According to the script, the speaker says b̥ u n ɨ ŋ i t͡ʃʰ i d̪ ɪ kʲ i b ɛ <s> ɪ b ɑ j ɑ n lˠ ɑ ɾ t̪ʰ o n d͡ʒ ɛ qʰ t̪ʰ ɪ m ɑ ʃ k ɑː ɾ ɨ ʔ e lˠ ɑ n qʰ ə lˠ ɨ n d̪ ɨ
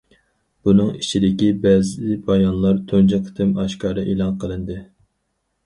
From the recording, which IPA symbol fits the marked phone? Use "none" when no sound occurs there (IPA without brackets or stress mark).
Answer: z